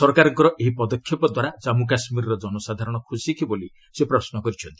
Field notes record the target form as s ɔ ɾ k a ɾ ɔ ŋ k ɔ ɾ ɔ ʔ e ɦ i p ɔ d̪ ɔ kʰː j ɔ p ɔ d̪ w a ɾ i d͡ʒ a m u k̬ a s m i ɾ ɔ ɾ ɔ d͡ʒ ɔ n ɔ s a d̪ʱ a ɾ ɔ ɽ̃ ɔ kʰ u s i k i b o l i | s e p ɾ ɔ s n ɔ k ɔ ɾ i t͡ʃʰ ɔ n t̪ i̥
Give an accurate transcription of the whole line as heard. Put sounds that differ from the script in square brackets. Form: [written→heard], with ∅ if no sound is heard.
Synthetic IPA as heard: s ɔ ɾ k a ɾ ɔ ŋ k ɔ ɾ ɔ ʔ e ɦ i p ɔ d̪ ɔ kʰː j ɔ p ɔ d̪ w a ɾ [i→a] d͡ʒ a m u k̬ a s m i ɾ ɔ ɾ ɔ d͡ʒ ɔ n ɔ s a d̪ʱ a ɾ ɔ ɽ̃ ɔ kʰ u s i k i b o l i | s e p ɾ ɔ s n ɔ k ɔ ɾ i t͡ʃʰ ɔ n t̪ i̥

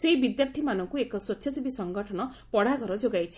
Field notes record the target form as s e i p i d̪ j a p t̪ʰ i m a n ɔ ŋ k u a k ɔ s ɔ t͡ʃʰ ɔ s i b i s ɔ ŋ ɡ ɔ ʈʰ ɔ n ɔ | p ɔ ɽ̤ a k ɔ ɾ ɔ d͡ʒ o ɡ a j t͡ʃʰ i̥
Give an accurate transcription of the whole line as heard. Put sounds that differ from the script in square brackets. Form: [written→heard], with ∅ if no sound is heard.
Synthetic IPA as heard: s e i [p→b] i d̪ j a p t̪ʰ i m a n ɔ ŋ k u [a→e] k ɔ s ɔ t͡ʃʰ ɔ s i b i s ɔ ŋ ɡ ɔ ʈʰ ɔ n ɔ | p ɔ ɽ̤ a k ɔ ɾ ɔ d͡ʒ o ɡ a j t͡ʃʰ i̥

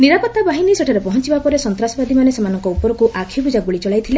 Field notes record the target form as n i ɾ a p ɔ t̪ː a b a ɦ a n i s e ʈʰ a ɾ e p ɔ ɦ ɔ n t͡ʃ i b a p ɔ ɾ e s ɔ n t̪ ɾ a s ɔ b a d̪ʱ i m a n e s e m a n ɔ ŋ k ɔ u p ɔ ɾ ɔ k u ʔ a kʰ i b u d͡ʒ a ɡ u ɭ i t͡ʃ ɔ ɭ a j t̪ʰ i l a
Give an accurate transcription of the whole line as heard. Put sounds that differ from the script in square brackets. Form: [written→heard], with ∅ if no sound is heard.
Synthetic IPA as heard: n i ɾ a p ɔ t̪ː a b a ɦ [a→i] n i s e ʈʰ a ɾ e p ɔ ɦ ɔ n t͡ʃ i b a p ɔ ɾ e s ɔ n t̪ ɾ a s ɔ b a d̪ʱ i m a n e s e m a n ɔ ŋ k ɔ u p ɔ ɾ ɔ k u ʔ a kʰ i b u d͡ʒ a ɡ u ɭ i t͡ʃ ɔ ɭ a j t̪ʰ i l [a→e]

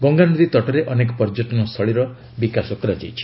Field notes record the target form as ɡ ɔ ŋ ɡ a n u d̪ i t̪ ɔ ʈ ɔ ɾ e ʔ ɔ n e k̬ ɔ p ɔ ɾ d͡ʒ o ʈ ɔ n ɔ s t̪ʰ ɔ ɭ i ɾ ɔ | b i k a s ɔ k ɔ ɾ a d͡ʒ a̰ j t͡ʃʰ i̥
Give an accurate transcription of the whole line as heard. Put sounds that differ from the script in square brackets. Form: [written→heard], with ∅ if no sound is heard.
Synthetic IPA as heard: ɡ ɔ ŋ ɡ a n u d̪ i t̪ ɔ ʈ ɔ ɾ e ʔ ɔ n e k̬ ɔ p ɔ ɾ d͡ʒ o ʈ ɔ n ɔ s t̪ʰ ɔ ɭ i ɾ ɔ | b i k a s ɔ k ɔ ɾ a d͡ʒ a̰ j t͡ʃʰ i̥

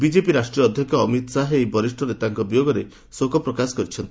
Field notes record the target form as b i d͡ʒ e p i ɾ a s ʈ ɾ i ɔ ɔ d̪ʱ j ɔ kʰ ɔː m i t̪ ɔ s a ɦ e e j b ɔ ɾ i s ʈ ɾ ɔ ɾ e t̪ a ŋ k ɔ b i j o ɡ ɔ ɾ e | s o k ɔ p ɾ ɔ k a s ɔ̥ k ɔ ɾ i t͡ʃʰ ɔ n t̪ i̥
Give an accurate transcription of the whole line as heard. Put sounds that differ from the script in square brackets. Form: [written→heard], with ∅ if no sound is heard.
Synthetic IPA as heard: b i d͡ʒ e p i ɾ a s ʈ ɾ i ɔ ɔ d̪ʱ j ɔ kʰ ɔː m i t̪ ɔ s a ɦ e e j b ɔ ɾ i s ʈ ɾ ɔ ɾ e t̪ a ŋ k ɔ b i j o ɡ ɔ ɾ e | s o k ɔ p ɾ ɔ k a s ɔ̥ k ɔ ɾ i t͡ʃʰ ɔ n t̪ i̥

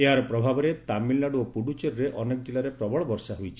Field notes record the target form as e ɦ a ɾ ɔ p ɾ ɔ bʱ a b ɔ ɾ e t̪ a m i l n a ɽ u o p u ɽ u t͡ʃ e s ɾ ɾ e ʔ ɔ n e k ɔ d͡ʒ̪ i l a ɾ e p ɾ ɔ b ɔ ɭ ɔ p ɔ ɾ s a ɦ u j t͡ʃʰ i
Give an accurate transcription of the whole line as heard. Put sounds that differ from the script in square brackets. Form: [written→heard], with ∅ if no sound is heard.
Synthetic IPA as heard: e ɦ a ɾ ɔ p ɾ ɔ bʱ a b ɔ ɾ e t̪ a m i l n a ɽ u o p u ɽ u t͡ʃ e [s→∅] ɾ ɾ e ʔ ɔ n e k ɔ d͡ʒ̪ i l a ɾ e p ɾ ɔ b ɔ ɭ ɔ [p→b] ɔ ɾ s a ɦ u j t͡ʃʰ i

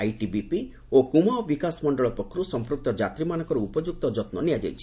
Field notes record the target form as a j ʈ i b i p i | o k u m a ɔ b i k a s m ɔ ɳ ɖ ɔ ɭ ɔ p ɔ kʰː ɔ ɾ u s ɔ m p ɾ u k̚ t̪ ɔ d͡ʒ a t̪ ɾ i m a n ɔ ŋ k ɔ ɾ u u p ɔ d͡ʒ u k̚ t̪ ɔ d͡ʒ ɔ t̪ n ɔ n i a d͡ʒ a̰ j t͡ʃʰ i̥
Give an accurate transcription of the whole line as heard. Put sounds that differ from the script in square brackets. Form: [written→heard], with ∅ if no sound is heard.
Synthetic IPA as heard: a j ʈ i b i p i | o k u m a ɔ b i k a s m ɔ ɳ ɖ ɔ ɭ ɔ p ɔ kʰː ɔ ɾ u s ɔ m p ɾ u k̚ t̪ ɔ d͡ʒ a t̪ ɾ i m a n ɔ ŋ k ɔ ɾ u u p ɔ d͡ʒ u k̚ t̪ ɔ d͡ʒ ɔ t̪ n ɔ n i a d͡ʒ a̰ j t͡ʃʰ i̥

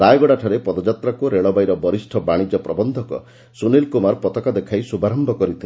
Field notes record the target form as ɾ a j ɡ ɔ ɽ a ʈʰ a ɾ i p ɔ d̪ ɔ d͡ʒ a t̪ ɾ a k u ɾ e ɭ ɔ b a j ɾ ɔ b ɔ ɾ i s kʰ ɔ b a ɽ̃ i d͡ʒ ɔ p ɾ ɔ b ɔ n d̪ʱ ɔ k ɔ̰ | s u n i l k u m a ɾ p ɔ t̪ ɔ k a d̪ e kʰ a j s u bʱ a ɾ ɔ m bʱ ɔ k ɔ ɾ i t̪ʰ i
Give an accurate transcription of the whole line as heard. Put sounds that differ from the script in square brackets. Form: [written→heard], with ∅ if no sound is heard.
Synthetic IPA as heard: ɾ a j ɡ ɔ ɽ a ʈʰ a ɾ [i→e] p ɔ d̪ ɔ d͡ʒ a t̪ ɾ a k u ɾ e ɭ ɔ b a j ɾ ɔ b ɔ ɾ i s [kʰ→ʈʰ] ɔ b a ɽ̃ i d͡ʒ ɔ p ɾ ɔ b ɔ n d̪ʱ ɔ k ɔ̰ | s u n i l k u m a ɾ p ɔ t̪ ɔ k a d̪ e kʰ a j s u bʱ a ɾ ɔ m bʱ ɔ k ɔ ɾ i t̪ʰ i

